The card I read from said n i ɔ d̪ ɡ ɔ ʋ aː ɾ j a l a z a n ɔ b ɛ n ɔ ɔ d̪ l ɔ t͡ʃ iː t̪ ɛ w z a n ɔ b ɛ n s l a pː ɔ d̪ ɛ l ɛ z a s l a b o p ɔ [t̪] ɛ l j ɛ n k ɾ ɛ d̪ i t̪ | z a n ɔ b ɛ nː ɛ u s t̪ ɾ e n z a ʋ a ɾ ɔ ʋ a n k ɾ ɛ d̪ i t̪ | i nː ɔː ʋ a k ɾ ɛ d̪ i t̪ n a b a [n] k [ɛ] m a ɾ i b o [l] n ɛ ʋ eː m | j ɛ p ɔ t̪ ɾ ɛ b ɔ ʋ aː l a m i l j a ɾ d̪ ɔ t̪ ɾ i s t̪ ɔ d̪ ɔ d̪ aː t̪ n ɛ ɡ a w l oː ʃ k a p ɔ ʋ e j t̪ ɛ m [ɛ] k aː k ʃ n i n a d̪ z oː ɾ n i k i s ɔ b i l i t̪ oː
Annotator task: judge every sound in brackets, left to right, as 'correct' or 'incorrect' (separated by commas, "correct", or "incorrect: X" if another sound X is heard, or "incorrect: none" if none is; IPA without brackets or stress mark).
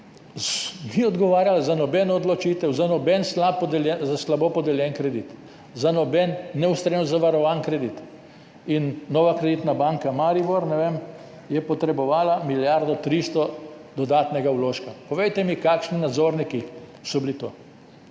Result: incorrect: d̪, incorrect: ŋ, incorrect: a, incorrect: ɾ, incorrect: i